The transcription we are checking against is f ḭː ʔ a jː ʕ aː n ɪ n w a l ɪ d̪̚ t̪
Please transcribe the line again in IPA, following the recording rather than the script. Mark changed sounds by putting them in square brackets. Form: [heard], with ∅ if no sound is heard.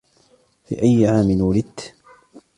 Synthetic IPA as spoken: f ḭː ʔ a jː ʕ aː [m] ɪ n w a l ɪ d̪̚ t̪